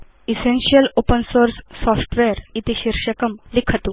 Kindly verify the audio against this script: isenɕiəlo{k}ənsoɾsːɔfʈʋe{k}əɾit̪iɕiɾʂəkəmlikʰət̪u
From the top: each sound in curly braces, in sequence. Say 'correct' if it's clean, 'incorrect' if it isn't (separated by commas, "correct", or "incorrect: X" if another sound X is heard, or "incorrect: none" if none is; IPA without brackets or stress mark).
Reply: incorrect: p, incorrect: none